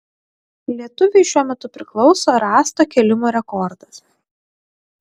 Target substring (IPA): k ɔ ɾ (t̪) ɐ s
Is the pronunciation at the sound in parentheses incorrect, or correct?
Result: incorrect